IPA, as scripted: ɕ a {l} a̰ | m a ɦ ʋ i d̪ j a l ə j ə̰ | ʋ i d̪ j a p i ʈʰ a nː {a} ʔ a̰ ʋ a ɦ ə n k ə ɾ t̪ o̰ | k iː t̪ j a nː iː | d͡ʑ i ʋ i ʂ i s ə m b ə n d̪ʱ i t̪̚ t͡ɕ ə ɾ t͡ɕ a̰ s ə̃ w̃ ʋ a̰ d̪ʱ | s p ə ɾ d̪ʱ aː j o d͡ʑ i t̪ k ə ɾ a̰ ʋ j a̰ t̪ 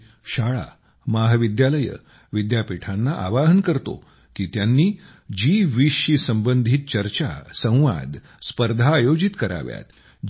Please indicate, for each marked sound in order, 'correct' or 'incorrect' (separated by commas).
incorrect, correct